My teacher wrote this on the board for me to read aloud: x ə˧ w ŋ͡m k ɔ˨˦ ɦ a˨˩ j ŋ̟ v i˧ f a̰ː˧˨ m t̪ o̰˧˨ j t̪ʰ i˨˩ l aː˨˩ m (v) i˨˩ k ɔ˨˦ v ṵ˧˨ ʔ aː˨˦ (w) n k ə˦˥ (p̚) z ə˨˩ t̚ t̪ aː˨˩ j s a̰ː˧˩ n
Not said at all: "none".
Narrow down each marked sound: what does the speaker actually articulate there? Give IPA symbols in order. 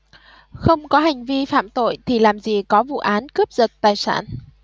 z, none, p̚

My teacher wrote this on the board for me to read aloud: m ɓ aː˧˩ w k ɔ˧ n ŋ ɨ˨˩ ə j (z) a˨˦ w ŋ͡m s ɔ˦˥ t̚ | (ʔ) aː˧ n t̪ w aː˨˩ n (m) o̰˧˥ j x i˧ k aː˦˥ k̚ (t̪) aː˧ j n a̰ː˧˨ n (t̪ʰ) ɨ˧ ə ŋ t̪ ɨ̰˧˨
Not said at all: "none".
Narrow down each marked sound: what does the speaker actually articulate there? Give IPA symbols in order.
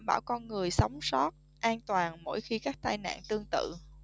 s, ʔ, m, t̪, t̪

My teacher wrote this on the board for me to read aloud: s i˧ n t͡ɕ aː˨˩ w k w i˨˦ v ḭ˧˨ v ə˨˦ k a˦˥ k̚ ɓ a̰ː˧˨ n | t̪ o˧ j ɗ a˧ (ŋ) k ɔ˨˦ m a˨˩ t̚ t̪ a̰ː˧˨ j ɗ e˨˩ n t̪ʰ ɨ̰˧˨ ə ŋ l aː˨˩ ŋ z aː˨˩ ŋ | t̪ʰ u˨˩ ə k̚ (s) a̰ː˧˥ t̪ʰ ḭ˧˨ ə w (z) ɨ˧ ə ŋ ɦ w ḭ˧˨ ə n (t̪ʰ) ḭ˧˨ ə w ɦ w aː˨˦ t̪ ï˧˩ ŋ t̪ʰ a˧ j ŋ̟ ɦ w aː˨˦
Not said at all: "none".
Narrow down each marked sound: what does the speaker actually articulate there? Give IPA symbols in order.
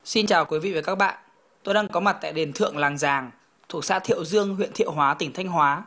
ŋ, s, z, t̪

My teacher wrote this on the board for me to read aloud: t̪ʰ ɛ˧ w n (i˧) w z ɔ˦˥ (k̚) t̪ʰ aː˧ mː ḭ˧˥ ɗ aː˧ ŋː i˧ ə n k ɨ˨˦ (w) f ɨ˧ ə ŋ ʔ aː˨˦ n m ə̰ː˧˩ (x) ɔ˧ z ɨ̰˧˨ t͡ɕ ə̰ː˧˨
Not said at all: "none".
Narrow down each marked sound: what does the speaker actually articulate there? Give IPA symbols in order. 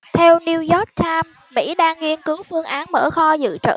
i˧, k̚, w, x

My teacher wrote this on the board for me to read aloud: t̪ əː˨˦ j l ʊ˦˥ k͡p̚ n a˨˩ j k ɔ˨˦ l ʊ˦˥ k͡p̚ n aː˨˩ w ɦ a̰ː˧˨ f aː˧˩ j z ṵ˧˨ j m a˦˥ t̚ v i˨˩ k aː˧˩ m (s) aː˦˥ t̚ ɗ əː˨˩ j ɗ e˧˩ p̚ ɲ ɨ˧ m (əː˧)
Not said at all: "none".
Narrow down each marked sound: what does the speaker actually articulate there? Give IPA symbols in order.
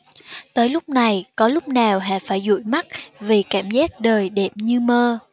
z, əː˧

